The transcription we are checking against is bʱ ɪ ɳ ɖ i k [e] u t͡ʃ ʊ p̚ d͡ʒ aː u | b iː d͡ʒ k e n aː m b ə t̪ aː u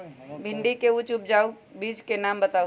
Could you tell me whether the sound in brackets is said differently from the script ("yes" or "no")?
no